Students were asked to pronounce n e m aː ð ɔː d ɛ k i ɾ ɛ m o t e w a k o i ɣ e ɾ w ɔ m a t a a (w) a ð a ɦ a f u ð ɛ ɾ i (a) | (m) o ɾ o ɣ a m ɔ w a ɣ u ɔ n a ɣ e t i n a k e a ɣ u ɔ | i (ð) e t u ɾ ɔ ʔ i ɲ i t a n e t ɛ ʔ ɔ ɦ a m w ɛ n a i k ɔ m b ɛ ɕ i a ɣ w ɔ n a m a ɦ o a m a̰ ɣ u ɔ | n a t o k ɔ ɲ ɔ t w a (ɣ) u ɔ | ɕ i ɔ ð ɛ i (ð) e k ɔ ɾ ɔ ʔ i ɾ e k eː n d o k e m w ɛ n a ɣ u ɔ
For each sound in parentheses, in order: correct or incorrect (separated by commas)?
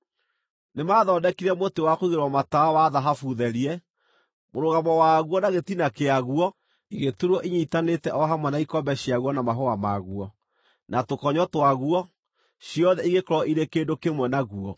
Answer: correct, incorrect, correct, incorrect, correct, incorrect